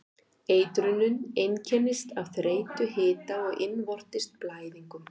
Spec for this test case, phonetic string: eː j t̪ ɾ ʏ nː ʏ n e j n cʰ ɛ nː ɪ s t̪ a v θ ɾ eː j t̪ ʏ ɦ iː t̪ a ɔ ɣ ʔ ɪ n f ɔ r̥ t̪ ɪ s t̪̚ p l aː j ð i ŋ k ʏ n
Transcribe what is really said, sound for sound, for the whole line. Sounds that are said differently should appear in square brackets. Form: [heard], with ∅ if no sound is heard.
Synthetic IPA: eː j t̪ ɾ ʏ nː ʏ n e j n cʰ ɛ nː ɪ s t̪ a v θ ɾ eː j t̪ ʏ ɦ [ɪː] t̪ a ɔ ɣ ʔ ɪ n [v] ɔ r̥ t̪ ɪ s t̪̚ p l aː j ð i ŋ k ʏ [m]